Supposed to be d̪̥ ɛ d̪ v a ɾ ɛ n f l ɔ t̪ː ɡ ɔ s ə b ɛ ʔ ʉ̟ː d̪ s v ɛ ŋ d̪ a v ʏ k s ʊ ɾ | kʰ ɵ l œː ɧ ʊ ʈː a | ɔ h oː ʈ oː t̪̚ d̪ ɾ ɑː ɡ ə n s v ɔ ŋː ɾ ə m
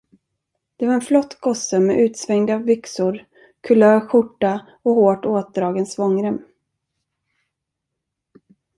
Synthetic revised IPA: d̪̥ ɛ v a ɾ ɛ n f l ɔ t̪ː ɡ ɔ s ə m ɛ ʔ ʉ̟ː t̪ s v ɛ ŋ d̪ a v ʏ k s ʊ ɾ | kʰ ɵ l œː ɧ ʊ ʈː a | ɔ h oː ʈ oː t̪̚ d̪ ɾ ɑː ɡ ə n s v ɔ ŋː ɾ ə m